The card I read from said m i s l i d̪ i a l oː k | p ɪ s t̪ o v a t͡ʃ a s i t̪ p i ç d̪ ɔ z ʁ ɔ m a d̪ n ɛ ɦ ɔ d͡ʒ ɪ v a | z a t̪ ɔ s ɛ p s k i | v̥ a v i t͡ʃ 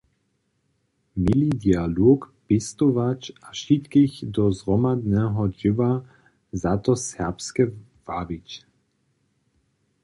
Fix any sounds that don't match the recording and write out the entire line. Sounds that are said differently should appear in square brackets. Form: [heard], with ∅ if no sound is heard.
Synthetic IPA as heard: m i [∅] l i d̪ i a l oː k | p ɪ s t̪ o v a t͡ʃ a [ʃ] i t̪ [k] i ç d̪ ɔ z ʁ ɔ m a d̪ n ɛ ɦ ɔ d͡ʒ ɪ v a | z a t̪ ɔ s ɛ p s k [ɛ] | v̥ a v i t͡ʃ